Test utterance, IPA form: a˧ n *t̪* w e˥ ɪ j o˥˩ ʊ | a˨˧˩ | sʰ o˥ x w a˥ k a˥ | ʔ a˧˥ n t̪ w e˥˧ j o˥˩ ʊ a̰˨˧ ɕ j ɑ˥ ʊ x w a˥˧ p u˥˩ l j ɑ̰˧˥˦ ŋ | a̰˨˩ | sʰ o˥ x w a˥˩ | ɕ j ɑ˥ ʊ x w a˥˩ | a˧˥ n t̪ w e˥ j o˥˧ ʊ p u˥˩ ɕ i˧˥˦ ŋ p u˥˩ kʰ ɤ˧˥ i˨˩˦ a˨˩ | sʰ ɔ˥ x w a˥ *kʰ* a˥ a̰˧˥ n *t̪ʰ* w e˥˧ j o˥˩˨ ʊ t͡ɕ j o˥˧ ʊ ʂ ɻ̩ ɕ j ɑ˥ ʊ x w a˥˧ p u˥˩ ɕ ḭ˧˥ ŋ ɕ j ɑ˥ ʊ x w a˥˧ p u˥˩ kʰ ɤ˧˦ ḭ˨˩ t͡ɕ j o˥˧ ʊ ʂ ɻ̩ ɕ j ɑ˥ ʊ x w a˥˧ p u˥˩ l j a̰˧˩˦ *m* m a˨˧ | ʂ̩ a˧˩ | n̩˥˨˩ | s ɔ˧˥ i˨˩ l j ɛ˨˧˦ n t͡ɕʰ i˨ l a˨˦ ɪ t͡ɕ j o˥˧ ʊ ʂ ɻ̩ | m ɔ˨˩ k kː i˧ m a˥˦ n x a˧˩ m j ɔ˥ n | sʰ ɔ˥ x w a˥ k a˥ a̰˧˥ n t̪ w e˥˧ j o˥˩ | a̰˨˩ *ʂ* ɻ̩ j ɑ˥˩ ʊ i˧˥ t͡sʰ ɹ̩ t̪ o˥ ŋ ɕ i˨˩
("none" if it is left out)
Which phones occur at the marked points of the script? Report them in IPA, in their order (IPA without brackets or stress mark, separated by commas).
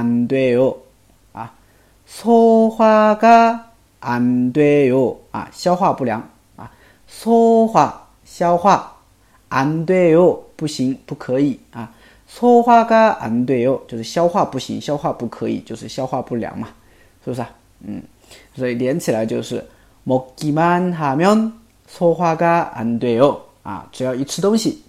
t̪, k, t̪, ŋ, ʈ͡ʂ